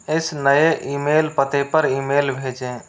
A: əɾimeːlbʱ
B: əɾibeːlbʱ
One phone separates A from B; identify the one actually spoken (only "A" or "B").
A